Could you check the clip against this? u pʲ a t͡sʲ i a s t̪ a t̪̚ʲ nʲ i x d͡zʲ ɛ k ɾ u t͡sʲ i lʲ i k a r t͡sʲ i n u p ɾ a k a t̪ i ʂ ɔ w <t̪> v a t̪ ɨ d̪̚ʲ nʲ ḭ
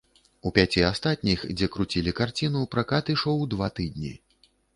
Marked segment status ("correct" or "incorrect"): incorrect